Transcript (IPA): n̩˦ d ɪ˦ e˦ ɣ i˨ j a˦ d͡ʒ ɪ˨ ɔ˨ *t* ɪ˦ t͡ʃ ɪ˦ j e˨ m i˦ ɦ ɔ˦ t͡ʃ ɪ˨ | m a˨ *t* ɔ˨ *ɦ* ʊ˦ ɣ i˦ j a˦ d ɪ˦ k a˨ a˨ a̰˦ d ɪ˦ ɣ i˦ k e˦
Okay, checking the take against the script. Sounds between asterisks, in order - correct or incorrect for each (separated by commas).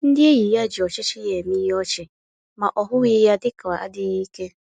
incorrect, incorrect, correct